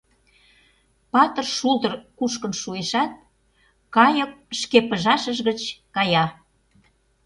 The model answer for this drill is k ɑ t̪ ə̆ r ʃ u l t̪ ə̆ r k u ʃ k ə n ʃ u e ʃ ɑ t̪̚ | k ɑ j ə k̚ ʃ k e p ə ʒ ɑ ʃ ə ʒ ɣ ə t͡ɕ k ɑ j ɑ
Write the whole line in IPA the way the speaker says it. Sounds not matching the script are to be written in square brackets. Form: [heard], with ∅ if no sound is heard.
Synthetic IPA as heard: [p] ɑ t̪ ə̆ r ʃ u l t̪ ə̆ r k u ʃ k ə n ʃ u e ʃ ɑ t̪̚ | k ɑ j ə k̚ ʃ k e p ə ʒ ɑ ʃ ə ʒ ɣ ə t͡ɕ k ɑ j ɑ